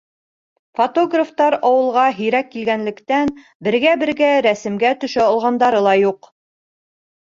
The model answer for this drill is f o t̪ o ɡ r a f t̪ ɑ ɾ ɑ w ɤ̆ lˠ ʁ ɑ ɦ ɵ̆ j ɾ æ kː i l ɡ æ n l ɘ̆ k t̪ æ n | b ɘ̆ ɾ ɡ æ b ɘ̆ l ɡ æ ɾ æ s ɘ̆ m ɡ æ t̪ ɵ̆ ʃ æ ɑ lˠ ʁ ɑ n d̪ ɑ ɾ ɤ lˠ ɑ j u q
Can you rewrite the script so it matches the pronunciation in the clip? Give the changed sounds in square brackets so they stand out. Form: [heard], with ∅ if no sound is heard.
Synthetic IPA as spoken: f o t̪ o ɡ r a f t̪ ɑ ɾ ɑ w ɤ̆ lˠ ʁ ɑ ɦ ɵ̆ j ɾ æ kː i l ɡ æ n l ɘ̆ k t̪ æ n | b ɘ̆ ɾ ɡ æ b ɘ̆ [ɾ] ɡ æ ɾ æ s ɘ̆ m ɡ æ t̪ ɵ̆ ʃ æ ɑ lˠ ʁ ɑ n d̪ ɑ ɾ ɤ lˠ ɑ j u q